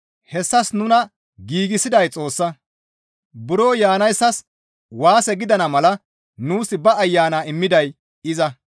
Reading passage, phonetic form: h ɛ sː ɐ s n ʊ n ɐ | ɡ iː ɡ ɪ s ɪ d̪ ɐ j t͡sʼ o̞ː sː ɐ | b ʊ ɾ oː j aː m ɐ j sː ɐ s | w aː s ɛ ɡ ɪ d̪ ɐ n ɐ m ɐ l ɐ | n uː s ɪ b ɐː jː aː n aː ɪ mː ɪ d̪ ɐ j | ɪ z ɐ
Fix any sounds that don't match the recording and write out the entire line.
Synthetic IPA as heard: h ɛ sː ɐ s n ʊ n ɐ | ɡ iː ɡ ɪ s ɪ d̪ ɐ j t͡sʼ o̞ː sː ɐ | b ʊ ɾ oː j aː n ɐ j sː ɐ s | w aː s ɛ ɡ ɪ d̪ ɐ n ɐ m ɐ l ɐ | n uː s ɪ b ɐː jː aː n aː ɪ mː ɪ d̪ ɐ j | ɪ z ɐ